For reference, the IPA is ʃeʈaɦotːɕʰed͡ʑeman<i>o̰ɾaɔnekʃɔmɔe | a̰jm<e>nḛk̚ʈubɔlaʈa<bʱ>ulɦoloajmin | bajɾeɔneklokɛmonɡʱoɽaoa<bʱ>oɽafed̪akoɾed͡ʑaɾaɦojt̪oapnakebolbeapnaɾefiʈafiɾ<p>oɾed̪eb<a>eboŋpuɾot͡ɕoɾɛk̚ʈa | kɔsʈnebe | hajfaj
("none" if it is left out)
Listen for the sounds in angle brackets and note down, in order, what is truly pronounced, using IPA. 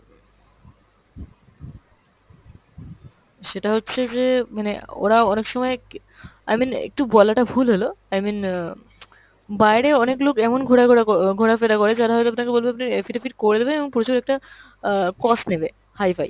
e, i, bʱ, ɡʱ, k, e

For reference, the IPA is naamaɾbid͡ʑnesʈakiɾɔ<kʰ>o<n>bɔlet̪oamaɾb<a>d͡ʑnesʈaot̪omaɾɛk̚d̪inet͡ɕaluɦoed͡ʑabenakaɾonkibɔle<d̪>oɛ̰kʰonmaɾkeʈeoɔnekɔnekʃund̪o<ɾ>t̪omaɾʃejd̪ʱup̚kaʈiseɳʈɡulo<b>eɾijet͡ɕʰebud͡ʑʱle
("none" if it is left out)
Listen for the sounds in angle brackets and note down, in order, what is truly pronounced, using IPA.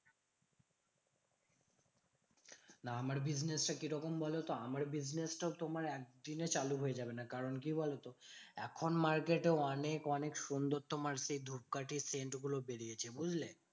k, m, i, t̪, ɾ, b

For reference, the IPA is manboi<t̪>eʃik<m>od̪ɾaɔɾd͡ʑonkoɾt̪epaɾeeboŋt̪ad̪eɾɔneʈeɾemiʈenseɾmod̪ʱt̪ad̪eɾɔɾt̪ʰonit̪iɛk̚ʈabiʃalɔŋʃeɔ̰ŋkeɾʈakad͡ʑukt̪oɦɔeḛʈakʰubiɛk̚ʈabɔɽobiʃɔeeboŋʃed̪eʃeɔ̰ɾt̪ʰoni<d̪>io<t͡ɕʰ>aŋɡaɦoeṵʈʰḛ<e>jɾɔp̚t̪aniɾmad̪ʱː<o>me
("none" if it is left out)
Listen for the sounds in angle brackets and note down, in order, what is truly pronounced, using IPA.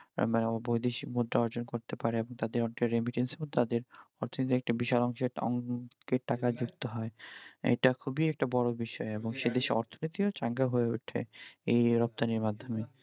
d̪, m, t̪, t͡ɕ, e, o

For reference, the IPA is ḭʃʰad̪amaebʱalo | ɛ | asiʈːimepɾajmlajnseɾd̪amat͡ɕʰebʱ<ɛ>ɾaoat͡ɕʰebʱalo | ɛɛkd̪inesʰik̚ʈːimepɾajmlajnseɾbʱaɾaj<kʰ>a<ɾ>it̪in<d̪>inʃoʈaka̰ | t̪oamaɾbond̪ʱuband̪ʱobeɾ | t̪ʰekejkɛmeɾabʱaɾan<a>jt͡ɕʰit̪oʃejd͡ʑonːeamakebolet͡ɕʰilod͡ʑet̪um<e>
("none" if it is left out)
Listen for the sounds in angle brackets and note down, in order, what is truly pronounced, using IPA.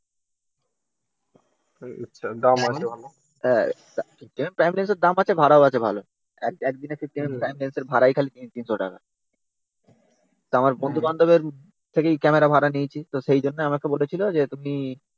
a, kʰ, l, t̪, i, i

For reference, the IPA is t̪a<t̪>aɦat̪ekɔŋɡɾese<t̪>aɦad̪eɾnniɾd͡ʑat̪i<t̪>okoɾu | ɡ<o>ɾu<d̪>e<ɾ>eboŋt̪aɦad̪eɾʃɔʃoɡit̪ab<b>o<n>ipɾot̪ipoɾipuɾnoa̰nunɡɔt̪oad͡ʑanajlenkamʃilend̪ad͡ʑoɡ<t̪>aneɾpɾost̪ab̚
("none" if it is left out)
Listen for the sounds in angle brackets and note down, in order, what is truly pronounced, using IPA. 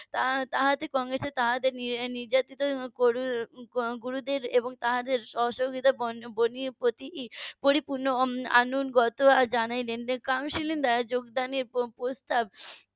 t̪, t̪, t̪, u, d̪, ɾ, b, n, d̪

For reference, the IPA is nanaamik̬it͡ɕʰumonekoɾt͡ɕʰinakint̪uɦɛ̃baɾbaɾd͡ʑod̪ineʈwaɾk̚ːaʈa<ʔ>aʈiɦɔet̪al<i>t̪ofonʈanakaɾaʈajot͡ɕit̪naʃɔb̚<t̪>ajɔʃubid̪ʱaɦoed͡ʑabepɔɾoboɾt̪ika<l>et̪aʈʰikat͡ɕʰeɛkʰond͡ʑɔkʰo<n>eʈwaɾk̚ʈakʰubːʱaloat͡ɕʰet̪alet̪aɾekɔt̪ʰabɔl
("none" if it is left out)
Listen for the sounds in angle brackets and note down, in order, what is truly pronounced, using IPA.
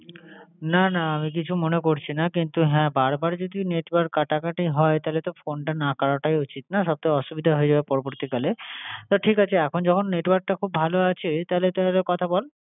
k, e, t̪, l, nː

